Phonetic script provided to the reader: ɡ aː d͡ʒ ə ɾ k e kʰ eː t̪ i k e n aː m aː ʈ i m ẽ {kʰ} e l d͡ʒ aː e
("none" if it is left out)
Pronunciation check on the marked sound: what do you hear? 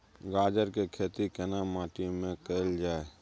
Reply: k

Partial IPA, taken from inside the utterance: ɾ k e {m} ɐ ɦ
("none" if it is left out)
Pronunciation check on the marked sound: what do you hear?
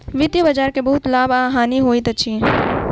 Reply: b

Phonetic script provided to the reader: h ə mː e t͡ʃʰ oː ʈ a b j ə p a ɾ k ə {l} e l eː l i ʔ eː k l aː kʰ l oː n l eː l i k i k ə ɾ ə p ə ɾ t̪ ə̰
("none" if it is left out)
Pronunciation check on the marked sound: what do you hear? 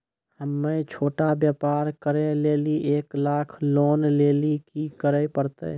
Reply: ɾ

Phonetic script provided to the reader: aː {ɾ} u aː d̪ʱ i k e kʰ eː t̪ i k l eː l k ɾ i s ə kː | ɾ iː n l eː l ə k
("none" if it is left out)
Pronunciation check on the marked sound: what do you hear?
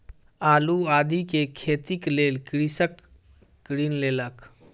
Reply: l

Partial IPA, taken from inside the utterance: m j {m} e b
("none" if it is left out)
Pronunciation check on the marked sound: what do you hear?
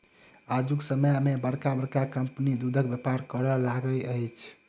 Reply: m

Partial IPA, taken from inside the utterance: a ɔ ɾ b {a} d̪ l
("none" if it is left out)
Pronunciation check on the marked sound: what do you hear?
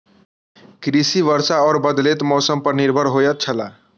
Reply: ə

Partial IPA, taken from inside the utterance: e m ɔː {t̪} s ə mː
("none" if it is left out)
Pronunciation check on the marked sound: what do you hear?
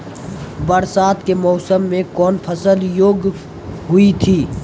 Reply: none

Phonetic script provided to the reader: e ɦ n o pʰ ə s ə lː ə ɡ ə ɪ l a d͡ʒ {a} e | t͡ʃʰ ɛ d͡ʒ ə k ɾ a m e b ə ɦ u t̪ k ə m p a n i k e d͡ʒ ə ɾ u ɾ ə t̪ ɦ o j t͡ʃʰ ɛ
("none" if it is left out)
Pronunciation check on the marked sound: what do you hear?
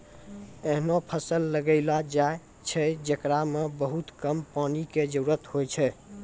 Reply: a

